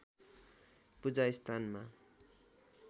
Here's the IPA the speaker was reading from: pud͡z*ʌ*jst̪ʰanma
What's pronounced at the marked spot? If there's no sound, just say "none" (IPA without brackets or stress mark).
a